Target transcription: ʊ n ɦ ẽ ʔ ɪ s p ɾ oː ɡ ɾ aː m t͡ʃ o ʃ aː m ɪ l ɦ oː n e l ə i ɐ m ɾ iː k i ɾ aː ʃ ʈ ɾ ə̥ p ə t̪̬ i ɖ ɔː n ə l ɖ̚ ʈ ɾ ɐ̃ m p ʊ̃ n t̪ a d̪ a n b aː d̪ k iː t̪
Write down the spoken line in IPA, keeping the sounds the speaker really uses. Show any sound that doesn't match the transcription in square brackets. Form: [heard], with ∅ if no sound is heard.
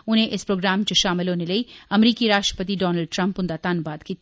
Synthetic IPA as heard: ʊ n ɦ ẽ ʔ ɪ s p ɾ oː ɡ ɾ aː m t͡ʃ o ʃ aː m ɪ l ɦ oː n e l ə i ɐ m ɾ iː k i ɾ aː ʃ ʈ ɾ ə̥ p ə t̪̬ i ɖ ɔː n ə l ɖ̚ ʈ ɾ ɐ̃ m p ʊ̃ n [d̪] a [t̪] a n b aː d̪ k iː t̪